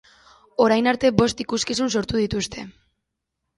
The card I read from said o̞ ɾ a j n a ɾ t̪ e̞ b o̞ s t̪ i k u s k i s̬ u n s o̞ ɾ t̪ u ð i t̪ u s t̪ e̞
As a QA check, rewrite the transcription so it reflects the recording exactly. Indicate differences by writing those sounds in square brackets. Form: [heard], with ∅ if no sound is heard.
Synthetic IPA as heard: o̞ ɾ a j n a ɾ t̪ e̞ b o̞ s t̪ i k u s k i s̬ u n s o̞ ɾ t̪ u ð i t̪ u s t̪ e̞